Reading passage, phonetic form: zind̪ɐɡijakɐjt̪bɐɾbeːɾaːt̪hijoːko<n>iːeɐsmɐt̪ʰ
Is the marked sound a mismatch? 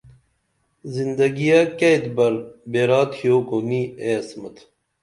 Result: no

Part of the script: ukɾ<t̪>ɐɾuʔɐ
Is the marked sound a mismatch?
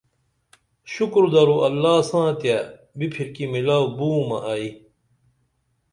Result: yes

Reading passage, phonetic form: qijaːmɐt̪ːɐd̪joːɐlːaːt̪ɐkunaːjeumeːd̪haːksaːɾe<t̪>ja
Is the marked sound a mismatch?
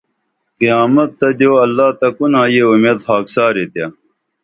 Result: no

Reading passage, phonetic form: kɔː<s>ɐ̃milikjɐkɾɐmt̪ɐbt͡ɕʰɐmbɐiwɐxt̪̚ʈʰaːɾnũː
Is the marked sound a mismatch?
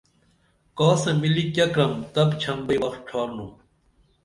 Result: no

